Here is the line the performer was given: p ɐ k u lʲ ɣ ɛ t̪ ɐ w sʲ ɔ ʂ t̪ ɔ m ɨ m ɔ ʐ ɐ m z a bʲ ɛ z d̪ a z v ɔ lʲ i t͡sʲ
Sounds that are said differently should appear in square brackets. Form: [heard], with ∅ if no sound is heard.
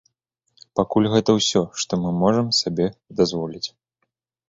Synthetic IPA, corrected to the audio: p [a] k u lʲ ɣ ɛ t̪ ɐ w sʲ ɔ ʂ t̪ ɔ m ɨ m ɔ ʐ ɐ m [s] a bʲ ɛ [∅] d̪ a z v ɔ lʲ i t͡sʲ